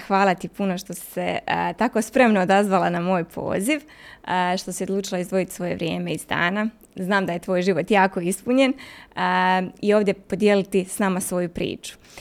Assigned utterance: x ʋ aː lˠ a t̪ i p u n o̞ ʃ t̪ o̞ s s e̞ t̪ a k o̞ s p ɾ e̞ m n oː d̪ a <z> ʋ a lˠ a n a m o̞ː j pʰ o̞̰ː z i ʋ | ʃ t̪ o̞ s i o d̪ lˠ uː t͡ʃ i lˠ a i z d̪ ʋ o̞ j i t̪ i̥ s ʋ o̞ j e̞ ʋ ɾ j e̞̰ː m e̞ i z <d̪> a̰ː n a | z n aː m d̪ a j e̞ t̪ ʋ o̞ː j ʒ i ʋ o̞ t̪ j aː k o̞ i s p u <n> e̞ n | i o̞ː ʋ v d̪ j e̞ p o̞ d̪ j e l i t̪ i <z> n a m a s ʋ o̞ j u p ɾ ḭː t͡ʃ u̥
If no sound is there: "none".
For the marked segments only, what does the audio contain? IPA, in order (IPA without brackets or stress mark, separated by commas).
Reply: z, d̪, ɲ, s